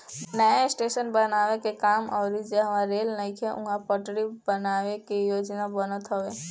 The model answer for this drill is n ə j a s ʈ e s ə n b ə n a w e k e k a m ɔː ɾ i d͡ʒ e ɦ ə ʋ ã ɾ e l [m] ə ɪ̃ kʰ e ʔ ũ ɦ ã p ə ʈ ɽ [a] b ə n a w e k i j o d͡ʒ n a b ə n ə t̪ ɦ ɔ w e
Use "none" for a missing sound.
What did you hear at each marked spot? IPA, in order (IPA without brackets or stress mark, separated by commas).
n, i